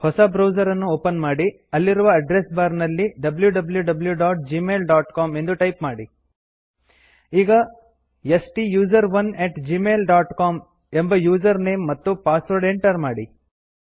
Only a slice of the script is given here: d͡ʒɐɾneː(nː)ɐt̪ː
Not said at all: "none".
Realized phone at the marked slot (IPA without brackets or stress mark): mː